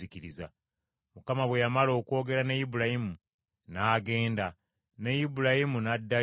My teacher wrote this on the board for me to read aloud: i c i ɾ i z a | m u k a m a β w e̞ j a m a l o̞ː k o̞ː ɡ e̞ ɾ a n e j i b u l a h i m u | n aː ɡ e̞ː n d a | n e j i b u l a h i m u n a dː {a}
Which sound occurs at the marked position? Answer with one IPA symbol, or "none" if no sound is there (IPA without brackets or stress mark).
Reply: a